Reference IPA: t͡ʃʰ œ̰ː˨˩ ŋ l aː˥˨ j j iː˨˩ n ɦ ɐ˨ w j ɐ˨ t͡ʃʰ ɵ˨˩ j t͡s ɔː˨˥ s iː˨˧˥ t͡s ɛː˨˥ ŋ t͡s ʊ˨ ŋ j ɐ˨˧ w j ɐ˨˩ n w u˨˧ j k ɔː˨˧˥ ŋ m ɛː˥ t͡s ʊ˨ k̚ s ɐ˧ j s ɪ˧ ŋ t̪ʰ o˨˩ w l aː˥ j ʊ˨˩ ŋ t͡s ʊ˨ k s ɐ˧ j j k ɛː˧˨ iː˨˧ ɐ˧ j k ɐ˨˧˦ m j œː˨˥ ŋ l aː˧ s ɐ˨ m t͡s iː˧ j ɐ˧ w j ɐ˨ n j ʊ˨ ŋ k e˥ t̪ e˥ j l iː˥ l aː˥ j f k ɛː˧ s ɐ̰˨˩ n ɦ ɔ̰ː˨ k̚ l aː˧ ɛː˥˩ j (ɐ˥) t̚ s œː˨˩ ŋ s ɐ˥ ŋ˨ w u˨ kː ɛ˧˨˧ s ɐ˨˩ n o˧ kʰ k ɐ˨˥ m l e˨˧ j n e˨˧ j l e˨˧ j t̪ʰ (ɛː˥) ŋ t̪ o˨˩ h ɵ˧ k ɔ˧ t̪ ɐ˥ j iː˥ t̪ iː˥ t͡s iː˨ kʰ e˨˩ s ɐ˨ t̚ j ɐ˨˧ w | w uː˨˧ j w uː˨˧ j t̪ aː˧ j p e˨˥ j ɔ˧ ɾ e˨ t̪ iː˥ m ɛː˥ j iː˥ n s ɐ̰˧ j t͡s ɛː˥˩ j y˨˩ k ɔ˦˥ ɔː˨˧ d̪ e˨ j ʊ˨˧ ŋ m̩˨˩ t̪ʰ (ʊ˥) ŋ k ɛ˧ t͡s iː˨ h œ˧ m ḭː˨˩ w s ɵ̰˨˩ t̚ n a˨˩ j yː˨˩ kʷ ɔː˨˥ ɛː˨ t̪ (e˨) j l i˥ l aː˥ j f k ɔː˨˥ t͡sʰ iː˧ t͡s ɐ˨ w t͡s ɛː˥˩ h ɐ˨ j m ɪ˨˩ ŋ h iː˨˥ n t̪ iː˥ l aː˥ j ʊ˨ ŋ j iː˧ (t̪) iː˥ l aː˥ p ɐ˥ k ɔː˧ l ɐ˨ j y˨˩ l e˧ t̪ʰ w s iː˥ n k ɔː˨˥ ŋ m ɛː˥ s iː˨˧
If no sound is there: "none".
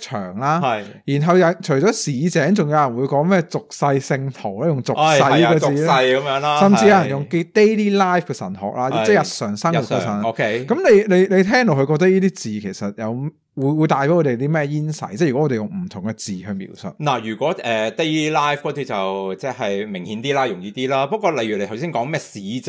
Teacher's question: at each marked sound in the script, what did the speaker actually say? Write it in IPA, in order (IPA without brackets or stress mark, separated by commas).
ɐ˨, ɛː˥, ʊ˨˩, e˥, t̪